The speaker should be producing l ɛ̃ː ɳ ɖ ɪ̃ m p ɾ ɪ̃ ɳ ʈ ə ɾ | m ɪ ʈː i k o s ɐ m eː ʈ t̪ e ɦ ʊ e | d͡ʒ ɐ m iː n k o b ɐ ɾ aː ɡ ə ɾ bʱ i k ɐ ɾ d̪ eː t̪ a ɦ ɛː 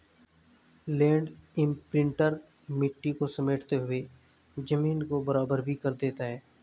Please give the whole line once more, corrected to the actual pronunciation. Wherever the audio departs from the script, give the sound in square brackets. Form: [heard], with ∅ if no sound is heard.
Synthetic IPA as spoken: l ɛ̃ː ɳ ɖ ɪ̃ m p ɾ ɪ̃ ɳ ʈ ə ɾ | m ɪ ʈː i k o s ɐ m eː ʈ t̪ e ɦ ʊ e | d͡ʒ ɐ m iː n k o b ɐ ɾ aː [b] ə ɾ bʱ i k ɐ ɾ d̪ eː t̪ a ɦ ɛː